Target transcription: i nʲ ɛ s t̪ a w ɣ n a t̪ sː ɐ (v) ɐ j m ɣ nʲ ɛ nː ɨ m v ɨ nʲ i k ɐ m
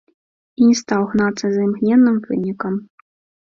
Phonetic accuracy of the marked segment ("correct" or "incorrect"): incorrect